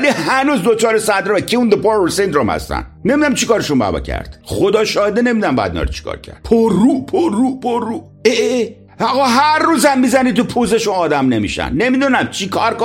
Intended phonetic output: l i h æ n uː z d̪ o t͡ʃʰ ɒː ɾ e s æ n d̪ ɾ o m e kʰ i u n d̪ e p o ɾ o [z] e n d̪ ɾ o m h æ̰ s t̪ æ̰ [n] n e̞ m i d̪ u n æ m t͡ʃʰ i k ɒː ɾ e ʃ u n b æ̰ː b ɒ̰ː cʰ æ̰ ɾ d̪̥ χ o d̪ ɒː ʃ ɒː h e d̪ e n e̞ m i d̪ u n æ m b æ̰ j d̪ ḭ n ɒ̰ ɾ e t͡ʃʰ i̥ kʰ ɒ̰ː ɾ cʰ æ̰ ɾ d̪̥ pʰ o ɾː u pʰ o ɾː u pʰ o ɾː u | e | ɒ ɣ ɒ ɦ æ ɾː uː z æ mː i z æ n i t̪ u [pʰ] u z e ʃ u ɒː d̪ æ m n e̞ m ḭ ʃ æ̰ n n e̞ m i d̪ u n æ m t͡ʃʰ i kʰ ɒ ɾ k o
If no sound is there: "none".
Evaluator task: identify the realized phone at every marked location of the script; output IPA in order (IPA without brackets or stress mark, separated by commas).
s, n, pʰ